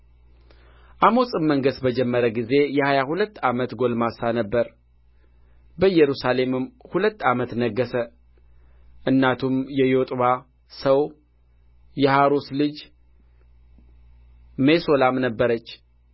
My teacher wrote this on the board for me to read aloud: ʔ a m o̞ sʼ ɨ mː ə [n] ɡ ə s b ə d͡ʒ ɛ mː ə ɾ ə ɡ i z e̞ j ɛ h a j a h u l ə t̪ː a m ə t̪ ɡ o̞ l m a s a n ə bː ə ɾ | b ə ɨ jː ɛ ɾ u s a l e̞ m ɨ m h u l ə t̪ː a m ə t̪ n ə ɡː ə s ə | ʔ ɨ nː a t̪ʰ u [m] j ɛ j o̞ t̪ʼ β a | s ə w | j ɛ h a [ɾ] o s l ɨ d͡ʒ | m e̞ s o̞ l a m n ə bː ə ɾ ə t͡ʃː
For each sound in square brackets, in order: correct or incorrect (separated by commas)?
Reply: incorrect, correct, correct